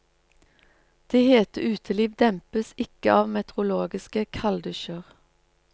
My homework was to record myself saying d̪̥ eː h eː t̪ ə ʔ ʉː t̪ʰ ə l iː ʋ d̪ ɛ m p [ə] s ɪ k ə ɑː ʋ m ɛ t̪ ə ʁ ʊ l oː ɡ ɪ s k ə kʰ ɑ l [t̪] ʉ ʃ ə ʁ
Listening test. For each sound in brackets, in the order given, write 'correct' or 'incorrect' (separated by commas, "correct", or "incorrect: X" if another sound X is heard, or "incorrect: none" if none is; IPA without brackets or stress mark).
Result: correct, incorrect: d̪